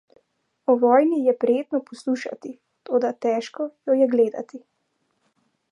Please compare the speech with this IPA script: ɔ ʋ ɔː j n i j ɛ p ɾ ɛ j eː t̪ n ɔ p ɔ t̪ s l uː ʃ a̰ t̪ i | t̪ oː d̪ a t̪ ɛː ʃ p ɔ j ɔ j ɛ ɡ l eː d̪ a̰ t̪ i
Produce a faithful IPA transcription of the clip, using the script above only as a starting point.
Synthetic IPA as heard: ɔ ʋ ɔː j n i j ɛ p ɾ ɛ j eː t̪ n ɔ p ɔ s l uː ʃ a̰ t̪ i | t̪ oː d̪ a t̪ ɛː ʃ k ɔ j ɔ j ɛ ɡ l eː d̪ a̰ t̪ i